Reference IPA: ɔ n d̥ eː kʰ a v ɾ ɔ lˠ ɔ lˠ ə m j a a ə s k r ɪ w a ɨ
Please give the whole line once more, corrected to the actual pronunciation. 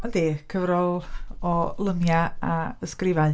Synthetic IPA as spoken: ɔ n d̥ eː kʰ ə v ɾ ɔ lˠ ɔ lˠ ə m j a a ə s k r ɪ v a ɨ